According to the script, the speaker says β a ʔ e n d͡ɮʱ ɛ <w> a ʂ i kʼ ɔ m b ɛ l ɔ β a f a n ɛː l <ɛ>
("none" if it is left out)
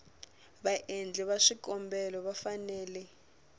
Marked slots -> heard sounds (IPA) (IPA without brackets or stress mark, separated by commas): β, ɛ